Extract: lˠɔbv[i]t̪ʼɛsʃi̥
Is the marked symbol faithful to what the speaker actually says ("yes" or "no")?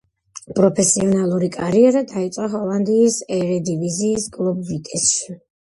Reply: yes